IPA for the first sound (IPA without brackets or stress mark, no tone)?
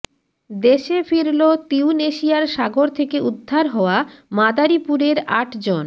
d̪